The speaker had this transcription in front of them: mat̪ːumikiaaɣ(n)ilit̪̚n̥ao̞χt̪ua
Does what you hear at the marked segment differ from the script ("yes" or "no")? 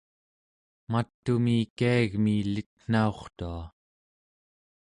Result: yes